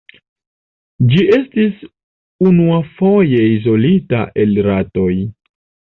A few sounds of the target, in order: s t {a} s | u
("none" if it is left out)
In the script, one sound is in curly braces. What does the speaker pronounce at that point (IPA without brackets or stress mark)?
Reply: i